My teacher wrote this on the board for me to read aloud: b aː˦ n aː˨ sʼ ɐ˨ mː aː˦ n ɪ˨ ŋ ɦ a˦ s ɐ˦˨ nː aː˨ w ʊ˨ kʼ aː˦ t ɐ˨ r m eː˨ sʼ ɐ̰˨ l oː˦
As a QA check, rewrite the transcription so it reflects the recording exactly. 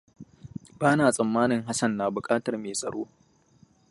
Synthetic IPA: b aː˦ n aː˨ sʼ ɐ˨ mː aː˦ n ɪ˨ ŋ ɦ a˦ s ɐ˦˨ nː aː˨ b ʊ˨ kʼ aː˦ t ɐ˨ r m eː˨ sʼ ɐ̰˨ ɽ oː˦